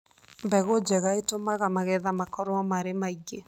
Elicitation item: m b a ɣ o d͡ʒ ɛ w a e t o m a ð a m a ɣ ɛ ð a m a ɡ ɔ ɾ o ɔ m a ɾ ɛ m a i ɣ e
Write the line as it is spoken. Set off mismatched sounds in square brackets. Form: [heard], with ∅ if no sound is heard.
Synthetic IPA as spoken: m b [ɛ] ɣ o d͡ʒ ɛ [ɣ] a e t o m a [ɣ] a m a ɣ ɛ ð a m a [k] ɔ ɾ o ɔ m a ɾ [e] m a i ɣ e

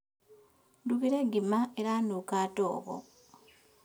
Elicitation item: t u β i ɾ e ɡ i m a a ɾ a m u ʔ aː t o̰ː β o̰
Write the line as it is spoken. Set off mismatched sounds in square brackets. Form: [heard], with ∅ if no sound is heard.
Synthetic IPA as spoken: [d] u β i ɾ e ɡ i m a [e] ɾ a [n] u [k] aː t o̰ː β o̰

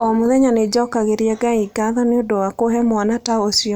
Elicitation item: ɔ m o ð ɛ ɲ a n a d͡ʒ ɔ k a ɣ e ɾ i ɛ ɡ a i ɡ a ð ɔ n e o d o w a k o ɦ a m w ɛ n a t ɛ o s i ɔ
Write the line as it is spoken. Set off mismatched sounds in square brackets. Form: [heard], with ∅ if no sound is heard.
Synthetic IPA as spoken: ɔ m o ð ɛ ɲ a n [e] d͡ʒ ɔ k a ɣ e ɾ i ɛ ɡ a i ɡ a ð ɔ n e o d o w a k o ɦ [ɛ] m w [a] n a t [a] o s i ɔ

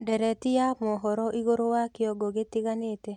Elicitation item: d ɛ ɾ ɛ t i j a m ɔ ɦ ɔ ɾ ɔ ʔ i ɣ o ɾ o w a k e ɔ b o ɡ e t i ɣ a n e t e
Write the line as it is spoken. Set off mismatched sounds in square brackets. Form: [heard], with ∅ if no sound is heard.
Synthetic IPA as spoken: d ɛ ɾ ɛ t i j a m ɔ ɦ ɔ ɾ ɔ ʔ i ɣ o ɾ o w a k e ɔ [ɡ] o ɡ e t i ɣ a n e t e

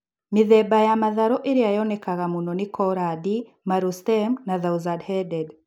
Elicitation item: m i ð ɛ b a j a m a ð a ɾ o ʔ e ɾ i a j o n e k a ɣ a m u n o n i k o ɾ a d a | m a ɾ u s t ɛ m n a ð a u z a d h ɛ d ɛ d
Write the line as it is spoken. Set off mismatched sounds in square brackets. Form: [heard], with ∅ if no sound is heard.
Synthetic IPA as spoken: m i ð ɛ b a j a m a ð a ɾ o ʔ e ɾ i a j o n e k a ɣ a m u n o n i k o ɾ a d [i] | m a ɾ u s t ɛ m n a ð a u z a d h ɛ d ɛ d

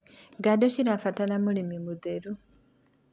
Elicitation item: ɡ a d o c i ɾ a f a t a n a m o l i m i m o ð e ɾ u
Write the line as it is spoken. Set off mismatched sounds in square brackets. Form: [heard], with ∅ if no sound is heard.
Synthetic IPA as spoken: ɡ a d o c i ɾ a f a t a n a m [u] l i m i m [u] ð e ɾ u

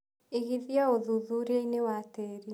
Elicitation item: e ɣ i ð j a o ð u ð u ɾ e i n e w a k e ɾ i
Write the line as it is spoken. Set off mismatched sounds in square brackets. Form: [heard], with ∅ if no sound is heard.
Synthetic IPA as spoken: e ɣ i ð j a o ð u ð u ɾ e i n e w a [t] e ɾ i

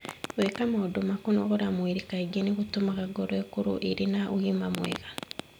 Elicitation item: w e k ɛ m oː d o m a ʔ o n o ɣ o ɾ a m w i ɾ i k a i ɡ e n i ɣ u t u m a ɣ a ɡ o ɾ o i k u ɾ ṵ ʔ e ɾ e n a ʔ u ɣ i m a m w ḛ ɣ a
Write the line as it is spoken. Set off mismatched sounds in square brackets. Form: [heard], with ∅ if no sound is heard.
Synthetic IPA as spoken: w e k [a] m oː d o m a [k] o n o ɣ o ɾ a m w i ɾ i k a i ɡ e n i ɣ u t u m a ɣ a ɡ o ɾ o [e] k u ɾ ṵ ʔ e ɾ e n a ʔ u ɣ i m a m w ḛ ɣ a

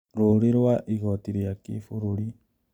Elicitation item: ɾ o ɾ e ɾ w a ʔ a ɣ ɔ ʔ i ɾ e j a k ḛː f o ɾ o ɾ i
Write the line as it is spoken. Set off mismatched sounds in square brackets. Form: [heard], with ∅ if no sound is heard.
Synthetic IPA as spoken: ɾ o ɾ e ɾ w a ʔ [i] ɣ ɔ [t] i ɾ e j a k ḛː f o ɾ o ɾ i

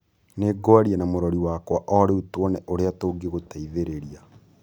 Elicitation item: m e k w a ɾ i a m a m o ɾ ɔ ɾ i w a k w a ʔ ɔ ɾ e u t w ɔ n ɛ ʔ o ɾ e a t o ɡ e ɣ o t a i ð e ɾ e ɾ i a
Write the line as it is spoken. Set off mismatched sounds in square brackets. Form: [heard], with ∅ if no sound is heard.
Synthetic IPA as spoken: [n] e [ɡ] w a ɾ i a [n] a m o ɾ ɔ ɾ i w a k w a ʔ ɔ ɾ e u t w ɔ n ɛ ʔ o ɾ e a t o ɡ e ɣ o t a i ð e ɾ e ɾ i a

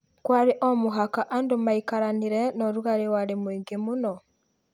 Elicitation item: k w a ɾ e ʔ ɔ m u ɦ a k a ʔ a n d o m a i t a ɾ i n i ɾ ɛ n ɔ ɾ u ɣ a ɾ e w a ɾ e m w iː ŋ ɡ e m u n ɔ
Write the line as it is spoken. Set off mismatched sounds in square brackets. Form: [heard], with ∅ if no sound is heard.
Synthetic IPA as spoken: k w a ɾ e ʔ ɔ m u ɦ a k a ʔ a n d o m a i [k] a ɾ [a] n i ɾ ɛ n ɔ ɾ u ɣ a ɾ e w a ɾ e m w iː ŋ ɡ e m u n ɔ

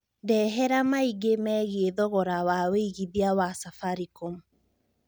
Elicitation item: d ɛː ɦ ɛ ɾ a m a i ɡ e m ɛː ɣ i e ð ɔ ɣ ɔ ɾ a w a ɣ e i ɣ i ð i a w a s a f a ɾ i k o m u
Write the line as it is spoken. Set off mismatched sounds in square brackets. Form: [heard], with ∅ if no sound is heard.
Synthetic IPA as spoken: d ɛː ɦ ɛ ɾ a m a i ɡ e m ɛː ɣ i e ð ɔ ɣ ɔ ɾ a w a [w] e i ɣ i ð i a w a s a f a ɾ i k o m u

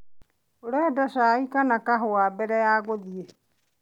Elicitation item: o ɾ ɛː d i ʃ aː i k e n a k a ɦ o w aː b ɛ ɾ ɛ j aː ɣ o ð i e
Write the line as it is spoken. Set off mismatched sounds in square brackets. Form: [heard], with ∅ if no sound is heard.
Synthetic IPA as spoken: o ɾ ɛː d [a] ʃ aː i k [a] n a k a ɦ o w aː b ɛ ɾ ɛ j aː ɣ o ð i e

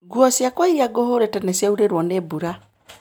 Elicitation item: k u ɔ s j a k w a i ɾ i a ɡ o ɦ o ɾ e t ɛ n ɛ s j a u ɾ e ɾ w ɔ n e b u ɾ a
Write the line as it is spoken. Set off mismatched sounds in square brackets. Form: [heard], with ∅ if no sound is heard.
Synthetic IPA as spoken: [ɡ] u ɔ s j a k w a i ɾ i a ɡ o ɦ o ɾ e t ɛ n ɛ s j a u ɾ e ɾ w ɔ n e b u ɾ a

